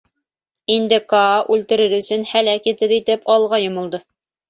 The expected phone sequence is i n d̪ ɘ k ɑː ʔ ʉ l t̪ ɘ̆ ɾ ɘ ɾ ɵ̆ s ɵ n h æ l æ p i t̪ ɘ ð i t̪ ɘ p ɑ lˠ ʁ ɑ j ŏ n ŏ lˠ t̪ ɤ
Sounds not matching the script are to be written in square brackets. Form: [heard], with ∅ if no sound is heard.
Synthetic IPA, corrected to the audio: i n d̪ ɘ k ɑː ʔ ʉ l t̪ ɘ̆ ɾ ɘ ɾ ɵ̆ s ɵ n h æ l æ [k] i t̪ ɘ ð i t̪ ɘ p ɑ lˠ ʁ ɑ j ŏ [m] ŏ lˠ [d̪] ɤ